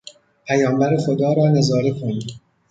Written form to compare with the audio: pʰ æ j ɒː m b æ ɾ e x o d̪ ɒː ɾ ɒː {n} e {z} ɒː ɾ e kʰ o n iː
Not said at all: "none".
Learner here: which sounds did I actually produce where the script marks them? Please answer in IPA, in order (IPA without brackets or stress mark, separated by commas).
n, z